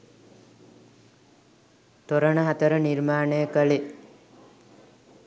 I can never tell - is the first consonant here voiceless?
yes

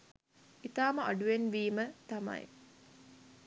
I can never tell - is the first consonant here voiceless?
yes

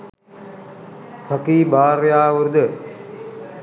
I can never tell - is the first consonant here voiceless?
yes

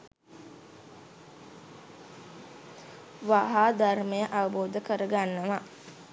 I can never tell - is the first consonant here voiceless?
no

